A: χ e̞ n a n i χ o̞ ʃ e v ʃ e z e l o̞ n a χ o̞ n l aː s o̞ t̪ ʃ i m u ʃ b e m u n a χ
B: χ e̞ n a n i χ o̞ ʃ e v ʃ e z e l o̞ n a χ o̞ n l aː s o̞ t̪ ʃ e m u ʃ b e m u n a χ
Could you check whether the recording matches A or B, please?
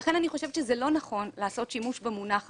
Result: A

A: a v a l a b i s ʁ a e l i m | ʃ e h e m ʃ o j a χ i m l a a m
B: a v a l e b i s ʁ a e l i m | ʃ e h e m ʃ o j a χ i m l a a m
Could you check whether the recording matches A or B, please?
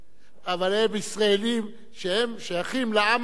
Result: B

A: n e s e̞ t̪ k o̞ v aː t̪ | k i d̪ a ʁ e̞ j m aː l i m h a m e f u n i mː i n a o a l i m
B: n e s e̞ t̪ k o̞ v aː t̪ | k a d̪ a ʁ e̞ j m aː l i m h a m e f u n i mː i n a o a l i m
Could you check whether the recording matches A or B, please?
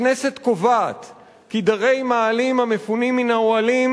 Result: A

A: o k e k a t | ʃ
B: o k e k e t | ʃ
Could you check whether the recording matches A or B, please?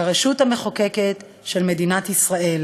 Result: B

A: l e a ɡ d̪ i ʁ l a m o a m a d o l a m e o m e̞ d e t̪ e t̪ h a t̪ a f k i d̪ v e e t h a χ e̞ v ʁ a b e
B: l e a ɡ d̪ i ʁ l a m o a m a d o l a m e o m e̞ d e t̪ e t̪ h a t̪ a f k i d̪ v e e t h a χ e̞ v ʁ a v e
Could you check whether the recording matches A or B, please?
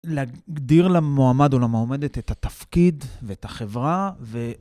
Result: B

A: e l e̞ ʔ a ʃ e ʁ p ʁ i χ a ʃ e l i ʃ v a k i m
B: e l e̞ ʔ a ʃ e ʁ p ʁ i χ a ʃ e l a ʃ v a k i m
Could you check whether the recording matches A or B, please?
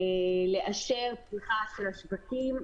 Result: B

